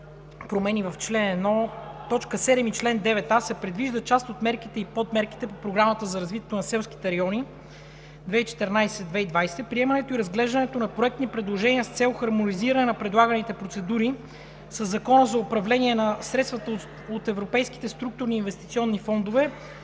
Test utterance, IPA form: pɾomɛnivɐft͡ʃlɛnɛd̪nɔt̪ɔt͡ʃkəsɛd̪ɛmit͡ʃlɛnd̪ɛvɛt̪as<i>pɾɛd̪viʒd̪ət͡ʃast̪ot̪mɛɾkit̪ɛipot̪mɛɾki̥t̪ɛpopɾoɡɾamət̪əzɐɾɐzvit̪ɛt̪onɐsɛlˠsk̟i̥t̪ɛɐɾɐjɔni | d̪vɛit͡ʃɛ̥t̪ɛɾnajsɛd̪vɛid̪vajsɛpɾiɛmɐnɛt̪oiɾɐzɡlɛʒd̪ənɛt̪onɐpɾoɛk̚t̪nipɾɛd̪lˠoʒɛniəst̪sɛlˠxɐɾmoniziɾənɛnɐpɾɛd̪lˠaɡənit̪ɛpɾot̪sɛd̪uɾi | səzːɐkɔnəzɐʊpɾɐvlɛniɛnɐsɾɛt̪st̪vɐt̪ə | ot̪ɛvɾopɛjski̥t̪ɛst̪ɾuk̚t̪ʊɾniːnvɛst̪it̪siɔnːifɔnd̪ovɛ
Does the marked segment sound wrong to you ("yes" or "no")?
yes